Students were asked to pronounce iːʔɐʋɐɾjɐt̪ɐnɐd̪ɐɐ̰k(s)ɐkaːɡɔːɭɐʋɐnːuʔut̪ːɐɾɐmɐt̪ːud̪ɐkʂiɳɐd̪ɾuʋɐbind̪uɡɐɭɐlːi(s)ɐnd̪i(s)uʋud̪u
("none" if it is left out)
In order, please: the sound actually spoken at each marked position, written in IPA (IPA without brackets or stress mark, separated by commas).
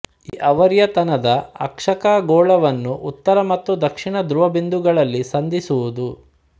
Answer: ʂ, s, s